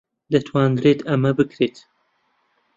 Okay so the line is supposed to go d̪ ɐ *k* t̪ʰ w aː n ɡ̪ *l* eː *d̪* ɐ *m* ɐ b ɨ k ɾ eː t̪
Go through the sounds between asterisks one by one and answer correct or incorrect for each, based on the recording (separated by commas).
incorrect, incorrect, incorrect, correct